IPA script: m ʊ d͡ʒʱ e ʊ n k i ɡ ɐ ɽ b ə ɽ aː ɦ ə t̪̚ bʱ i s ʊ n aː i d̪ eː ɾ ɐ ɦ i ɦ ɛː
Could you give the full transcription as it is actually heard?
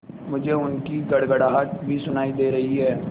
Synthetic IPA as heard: m ʊ d͡ʒʱ e ʊ n k i ɡ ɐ ɽ ɡ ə ɽ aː ɦ ə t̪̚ bʱ i s ʊ n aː i d̪ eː ɾ ɐ ɦ i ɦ ɛː